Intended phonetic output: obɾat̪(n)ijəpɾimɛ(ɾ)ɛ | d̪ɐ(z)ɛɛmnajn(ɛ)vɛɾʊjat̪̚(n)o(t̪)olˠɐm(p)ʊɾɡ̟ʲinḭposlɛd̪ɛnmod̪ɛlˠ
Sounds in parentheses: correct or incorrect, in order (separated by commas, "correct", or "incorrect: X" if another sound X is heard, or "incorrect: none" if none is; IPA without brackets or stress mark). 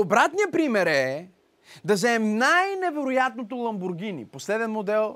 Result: correct, correct, correct, correct, correct, correct, incorrect: b